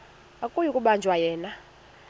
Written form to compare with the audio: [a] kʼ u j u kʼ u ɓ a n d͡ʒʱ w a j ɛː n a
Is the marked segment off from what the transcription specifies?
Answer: no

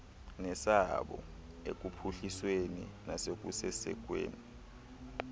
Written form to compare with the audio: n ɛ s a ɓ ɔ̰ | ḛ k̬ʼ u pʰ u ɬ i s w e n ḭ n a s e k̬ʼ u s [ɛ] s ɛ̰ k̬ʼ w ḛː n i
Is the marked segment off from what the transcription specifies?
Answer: no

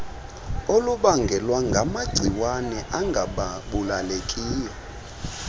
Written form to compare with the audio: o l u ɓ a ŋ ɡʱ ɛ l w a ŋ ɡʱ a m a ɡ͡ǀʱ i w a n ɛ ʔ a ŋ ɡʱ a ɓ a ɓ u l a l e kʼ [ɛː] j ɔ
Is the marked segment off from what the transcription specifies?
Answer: yes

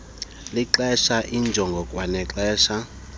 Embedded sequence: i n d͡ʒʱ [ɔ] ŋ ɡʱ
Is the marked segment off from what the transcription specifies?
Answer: no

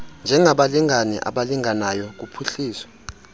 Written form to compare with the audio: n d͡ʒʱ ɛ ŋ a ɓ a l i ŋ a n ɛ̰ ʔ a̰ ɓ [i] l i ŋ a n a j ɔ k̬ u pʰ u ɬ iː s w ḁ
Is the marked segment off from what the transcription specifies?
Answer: yes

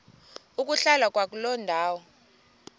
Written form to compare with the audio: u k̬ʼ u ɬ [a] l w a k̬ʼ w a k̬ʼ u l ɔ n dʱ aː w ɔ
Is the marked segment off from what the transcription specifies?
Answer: no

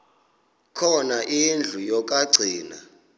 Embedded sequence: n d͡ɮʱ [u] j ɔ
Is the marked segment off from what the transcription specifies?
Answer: no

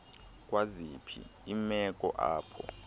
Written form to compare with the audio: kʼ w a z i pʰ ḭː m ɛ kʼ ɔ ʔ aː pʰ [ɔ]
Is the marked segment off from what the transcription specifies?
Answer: no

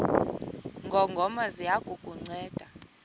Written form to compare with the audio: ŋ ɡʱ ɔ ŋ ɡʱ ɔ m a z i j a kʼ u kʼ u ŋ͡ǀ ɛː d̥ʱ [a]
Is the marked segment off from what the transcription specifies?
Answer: no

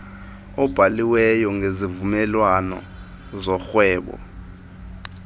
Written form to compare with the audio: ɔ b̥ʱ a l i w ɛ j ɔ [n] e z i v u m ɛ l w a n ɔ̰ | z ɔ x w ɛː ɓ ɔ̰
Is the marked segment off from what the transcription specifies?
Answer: yes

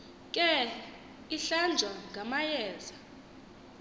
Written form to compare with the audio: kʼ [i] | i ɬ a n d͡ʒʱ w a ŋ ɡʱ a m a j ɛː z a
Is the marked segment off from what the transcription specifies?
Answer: yes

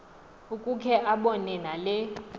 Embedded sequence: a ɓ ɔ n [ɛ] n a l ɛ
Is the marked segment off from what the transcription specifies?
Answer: no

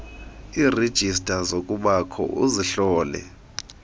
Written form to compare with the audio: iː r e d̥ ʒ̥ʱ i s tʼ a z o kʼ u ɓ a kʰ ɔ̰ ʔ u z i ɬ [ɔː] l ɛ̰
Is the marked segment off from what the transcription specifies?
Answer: no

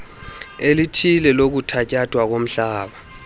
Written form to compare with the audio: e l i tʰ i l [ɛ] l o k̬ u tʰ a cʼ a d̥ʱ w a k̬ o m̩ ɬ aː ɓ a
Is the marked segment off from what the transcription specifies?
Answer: no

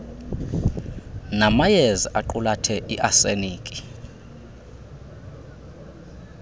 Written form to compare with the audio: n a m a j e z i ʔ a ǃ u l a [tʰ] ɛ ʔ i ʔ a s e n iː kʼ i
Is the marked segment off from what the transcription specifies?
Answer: no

